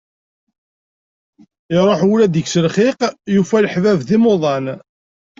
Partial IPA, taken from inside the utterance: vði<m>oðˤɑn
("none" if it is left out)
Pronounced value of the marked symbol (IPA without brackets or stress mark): m